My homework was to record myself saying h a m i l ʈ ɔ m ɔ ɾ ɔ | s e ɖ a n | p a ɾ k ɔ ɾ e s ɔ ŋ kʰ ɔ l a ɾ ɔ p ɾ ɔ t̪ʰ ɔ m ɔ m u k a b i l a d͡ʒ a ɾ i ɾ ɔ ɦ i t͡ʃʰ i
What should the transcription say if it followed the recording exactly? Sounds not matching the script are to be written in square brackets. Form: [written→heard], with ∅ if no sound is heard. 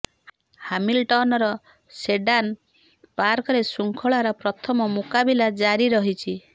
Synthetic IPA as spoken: h a m i l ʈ ɔ [m→n] ɔ ɾ ɔ | s e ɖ a n | p a ɾ k ɔ ɾ e s [ɔ→u] ŋ kʰ ɔ [l→ɭ] a ɾ ɔ p ɾ ɔ t̪ʰ ɔ m ɔ m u k a b i l a d͡ʒ a ɾ i ɾ ɔ ɦ i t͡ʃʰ i